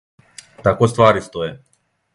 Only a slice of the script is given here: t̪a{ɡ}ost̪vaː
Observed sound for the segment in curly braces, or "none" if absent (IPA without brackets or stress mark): k